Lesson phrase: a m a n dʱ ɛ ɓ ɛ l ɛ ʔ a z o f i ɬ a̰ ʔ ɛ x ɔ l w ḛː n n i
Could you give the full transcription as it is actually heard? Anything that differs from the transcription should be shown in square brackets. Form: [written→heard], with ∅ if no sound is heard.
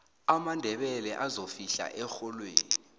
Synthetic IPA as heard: a m a n dʱ ɛ ɓ ɛ l ɛ ʔ a z o f i ɬ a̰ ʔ ɛ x ɔ l w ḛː n n i